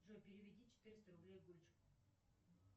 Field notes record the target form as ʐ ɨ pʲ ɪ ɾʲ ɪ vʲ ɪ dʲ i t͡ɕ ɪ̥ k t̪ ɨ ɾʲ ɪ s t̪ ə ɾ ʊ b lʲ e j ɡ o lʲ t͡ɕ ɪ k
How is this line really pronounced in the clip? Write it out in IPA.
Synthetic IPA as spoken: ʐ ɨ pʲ ɪ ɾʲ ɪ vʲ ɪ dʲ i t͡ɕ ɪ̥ t̪ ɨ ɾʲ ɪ s t̪ ə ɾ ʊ b lʲ e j ɡ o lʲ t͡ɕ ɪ k